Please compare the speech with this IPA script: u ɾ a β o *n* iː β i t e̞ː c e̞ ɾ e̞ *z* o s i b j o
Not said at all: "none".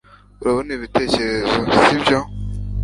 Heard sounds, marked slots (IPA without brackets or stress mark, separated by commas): n, z